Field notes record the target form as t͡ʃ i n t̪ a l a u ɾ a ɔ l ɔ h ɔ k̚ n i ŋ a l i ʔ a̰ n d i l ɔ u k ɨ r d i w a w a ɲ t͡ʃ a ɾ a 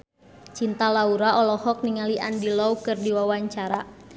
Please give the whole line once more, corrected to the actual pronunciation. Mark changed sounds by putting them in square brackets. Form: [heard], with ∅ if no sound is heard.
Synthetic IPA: t͡ʃ i n t̪ a l a u ɾ a ɔ l ɔ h ɔ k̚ n i ŋ a l i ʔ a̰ n d i l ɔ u k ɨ r d i w a w a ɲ t͡ʃ a ɾ a